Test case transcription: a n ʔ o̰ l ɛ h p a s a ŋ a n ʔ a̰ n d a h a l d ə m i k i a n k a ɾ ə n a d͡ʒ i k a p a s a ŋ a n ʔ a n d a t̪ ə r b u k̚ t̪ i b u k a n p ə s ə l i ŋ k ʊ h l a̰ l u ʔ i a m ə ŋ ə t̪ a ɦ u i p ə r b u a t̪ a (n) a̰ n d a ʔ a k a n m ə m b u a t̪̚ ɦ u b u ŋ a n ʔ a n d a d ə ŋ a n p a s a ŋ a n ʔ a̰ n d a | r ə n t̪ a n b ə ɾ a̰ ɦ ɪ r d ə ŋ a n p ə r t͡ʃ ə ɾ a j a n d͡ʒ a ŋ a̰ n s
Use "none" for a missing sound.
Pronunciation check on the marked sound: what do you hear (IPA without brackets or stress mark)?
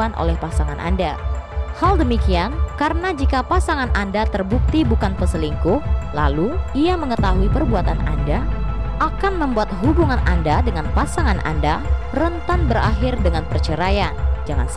n